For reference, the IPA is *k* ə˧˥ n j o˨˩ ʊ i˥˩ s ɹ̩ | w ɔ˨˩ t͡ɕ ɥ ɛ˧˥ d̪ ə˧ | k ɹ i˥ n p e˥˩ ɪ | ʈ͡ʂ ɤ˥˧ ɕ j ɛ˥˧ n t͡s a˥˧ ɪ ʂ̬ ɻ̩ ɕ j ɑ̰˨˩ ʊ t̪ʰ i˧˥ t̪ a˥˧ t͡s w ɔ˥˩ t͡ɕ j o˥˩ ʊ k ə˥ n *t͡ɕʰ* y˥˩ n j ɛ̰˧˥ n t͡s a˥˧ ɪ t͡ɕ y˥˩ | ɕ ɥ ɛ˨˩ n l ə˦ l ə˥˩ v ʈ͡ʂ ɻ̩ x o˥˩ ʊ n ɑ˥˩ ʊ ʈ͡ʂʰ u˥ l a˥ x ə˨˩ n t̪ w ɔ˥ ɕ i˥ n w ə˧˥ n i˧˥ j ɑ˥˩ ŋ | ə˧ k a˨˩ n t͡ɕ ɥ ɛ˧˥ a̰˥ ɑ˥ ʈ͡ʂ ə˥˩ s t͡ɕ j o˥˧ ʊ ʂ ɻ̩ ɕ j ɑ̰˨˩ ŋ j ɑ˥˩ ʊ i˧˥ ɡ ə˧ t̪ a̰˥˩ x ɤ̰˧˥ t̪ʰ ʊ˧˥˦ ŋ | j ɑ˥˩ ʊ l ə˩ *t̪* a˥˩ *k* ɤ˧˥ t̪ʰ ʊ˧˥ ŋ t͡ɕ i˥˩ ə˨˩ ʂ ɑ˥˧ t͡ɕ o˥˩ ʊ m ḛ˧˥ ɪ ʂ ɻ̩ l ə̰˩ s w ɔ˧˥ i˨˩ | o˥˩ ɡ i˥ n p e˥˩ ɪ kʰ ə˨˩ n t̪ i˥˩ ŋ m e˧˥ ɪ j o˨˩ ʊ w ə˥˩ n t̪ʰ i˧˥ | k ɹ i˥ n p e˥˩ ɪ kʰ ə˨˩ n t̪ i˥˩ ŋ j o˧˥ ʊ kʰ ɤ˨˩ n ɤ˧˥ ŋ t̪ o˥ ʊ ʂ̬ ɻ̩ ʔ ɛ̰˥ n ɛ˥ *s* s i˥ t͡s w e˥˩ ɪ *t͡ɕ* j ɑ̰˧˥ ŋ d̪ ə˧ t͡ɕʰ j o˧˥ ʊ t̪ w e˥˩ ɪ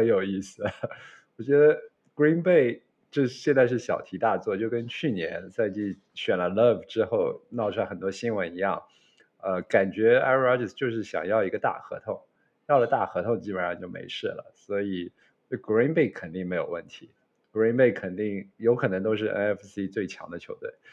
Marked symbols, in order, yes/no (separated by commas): no, yes, yes, no, no, no